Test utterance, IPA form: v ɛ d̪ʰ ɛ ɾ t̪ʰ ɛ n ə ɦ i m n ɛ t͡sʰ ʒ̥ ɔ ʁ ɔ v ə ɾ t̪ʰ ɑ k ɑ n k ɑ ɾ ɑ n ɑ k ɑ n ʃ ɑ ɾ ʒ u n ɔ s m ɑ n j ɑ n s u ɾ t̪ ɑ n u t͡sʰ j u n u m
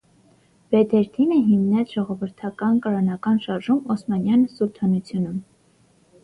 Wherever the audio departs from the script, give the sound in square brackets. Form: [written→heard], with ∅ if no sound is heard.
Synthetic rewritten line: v ɛ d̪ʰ ɛ ɾ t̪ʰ [ɛ→i] n ə ɦ i m n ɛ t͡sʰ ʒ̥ ɔ ʁ ɔ v ə ɾ t̪ʰ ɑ k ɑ n k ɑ ɾ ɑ n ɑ k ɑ n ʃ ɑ ɾ ʒ u [n→m] ɔ s m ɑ n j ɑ n s u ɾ [t̪→t̪ʰ] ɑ n u t͡sʰ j u n u m